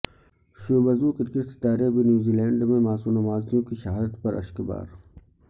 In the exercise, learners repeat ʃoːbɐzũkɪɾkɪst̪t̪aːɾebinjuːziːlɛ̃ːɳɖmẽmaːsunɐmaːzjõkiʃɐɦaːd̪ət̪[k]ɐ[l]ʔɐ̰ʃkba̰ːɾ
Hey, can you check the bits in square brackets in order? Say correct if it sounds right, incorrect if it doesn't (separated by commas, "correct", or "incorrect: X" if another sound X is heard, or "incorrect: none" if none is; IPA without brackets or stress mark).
incorrect: p, incorrect: ɾ